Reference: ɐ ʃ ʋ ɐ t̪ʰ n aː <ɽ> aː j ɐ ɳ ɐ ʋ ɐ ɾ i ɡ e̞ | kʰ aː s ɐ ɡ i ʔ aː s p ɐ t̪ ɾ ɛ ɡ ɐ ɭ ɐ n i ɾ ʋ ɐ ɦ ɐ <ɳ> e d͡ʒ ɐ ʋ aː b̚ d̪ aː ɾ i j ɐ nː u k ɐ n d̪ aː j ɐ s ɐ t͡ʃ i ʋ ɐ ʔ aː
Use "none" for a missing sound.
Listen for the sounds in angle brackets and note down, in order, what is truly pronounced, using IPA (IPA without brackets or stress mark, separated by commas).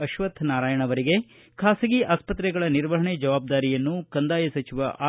ɾ, ɳ